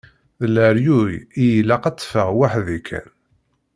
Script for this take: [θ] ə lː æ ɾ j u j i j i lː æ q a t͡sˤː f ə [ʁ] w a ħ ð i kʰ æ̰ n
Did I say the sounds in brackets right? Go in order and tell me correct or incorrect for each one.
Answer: incorrect: ð, correct

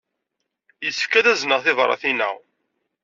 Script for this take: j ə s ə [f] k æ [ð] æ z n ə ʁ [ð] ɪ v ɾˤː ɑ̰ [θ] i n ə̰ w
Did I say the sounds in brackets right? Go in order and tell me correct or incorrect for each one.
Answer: correct, correct, incorrect: θ, correct

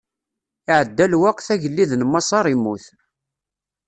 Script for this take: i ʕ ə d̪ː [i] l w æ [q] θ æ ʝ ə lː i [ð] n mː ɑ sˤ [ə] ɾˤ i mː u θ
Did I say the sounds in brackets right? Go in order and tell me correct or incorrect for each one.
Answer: incorrect: æ, correct, correct, incorrect: ɑ

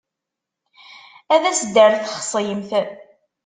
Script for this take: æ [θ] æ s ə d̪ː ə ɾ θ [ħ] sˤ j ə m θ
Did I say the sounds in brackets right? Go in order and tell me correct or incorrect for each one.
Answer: incorrect: ð, incorrect: χ

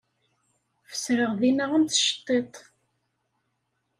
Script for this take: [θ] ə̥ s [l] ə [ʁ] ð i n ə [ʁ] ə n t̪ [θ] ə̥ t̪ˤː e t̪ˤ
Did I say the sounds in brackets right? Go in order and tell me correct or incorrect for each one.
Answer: incorrect: f, incorrect: ɾ, correct, correct, incorrect: ʃ

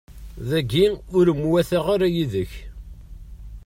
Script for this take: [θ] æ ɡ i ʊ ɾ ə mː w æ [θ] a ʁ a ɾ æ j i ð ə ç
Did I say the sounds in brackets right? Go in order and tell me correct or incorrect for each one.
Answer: incorrect: ð, correct

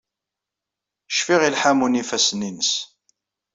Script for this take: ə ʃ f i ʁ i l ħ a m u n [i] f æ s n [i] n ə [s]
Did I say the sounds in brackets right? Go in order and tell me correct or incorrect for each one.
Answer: correct, correct, correct

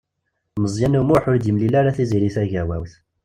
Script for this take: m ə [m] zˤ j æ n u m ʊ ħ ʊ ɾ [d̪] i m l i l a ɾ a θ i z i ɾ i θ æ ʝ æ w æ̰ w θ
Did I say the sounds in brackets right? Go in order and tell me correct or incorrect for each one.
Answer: incorrect: none, correct

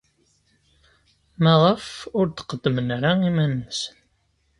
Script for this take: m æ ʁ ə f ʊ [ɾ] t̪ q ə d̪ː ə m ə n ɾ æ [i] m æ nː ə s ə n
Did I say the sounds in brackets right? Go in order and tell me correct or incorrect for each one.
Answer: correct, correct

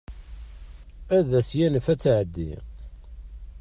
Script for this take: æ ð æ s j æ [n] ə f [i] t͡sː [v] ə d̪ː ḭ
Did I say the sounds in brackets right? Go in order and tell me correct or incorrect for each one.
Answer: correct, incorrect: æ, incorrect: ʕ

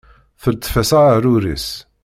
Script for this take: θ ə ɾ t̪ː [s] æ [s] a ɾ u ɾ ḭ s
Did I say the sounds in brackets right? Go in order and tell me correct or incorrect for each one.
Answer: incorrect: f, correct

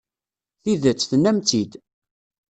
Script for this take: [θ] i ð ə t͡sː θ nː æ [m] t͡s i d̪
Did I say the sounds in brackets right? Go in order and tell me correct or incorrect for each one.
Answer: correct, correct

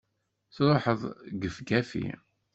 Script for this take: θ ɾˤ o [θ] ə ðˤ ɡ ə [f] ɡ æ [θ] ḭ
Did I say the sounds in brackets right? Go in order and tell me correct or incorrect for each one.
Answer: incorrect: ħ, correct, incorrect: f

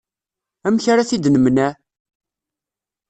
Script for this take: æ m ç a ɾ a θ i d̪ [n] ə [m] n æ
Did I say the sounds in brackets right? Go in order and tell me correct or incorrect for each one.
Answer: correct, correct

